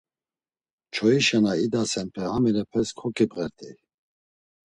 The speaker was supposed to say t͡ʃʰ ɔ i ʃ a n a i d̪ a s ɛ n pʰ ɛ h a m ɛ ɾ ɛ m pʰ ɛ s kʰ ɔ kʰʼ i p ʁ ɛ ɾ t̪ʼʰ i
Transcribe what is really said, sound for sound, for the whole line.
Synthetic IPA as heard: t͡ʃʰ ɔ i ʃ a n a i d̪ a s ɛ n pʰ ɛ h a m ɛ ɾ ɛ pʰ ɛ s kʰ ɔ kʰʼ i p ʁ ɛ ɾ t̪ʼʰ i